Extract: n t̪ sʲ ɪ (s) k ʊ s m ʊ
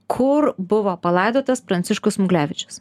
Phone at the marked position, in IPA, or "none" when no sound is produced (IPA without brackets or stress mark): ʃ